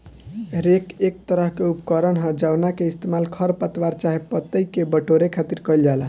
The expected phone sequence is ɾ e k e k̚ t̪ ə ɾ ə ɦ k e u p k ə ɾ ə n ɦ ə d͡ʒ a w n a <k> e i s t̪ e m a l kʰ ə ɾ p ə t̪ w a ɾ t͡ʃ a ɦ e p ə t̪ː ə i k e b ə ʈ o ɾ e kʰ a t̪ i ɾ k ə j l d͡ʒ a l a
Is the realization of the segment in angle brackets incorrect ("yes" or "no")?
no